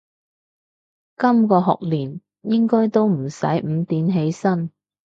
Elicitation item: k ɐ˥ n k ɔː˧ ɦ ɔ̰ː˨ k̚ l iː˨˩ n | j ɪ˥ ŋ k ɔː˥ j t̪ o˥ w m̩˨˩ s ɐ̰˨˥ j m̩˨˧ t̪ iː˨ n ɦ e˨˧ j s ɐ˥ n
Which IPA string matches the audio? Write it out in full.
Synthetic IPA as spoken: k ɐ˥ m k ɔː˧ ɦ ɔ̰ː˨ k̚ l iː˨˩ n | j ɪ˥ ŋ k ɔː˥ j t̪ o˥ w m̩˨˩ s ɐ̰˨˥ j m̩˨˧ t̪ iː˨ n ɦ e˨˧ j s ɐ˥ n